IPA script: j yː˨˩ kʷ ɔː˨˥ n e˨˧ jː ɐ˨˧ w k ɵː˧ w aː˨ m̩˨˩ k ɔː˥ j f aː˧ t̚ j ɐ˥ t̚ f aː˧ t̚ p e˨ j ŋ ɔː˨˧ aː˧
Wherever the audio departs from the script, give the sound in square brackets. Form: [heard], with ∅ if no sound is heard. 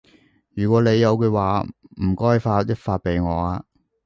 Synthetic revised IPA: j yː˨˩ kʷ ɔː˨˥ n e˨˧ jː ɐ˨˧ w k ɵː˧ w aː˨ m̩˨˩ k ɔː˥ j f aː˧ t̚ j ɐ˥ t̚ f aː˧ t̚ p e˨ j ŋ ɔː˨˧ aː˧